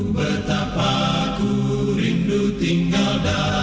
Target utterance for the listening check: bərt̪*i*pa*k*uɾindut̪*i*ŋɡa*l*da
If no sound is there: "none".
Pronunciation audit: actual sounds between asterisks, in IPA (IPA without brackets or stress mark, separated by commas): a, k, i, l